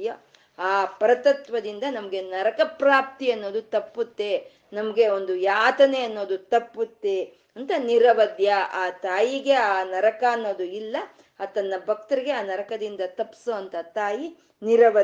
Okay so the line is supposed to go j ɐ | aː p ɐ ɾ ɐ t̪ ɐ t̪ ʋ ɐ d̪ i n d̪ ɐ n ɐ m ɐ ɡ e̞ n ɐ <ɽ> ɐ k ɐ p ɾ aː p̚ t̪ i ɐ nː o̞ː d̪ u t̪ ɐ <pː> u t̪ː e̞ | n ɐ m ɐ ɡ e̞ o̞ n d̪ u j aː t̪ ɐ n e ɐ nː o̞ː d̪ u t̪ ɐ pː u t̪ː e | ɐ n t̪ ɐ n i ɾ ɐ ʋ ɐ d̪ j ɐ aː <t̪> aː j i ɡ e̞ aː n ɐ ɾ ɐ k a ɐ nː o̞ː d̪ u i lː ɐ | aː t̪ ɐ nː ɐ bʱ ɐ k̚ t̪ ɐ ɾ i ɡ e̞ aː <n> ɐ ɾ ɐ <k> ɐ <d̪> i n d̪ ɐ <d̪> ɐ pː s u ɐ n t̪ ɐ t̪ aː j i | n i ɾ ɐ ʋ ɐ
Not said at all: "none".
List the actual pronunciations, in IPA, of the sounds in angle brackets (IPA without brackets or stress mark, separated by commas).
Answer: ɾ, pː, t̪, n, k, d̪, t̪